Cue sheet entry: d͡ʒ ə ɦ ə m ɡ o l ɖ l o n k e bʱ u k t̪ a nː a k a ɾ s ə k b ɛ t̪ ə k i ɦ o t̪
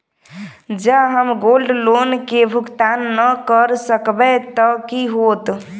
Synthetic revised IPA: d͡ʒ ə ɦ ə m ɡ o l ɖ l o n k e bʱ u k t̪ a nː ə k ə ɾ s ə k b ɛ t̪ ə k i ɦ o t̪